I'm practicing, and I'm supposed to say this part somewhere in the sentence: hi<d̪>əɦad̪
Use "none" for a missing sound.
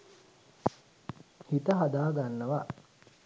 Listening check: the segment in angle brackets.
t̪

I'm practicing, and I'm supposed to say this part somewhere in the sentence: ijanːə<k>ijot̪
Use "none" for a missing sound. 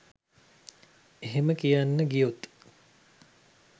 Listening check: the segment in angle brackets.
ɡ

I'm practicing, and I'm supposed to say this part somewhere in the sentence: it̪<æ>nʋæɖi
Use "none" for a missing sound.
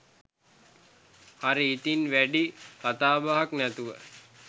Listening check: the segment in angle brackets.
i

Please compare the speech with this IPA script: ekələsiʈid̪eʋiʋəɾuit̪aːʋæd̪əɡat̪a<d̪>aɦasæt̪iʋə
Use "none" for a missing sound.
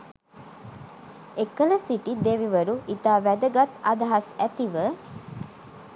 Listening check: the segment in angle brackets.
d̪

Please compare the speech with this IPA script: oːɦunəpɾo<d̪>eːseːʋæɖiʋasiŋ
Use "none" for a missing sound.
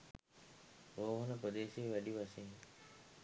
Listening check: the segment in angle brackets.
d̪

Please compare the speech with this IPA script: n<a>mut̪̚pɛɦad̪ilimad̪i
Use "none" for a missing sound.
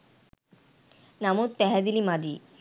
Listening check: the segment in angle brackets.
a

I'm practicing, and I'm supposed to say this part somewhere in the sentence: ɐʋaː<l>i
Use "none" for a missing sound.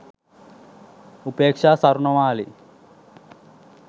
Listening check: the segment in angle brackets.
l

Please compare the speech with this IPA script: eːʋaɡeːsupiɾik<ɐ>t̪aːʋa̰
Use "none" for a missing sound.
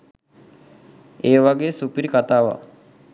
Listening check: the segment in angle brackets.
a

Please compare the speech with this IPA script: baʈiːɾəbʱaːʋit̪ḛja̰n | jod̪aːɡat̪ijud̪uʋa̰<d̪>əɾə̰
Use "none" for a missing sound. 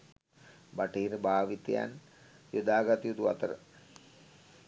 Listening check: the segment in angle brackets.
t̪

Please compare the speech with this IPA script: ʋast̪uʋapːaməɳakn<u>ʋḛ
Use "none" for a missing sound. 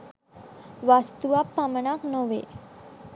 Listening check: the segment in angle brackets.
o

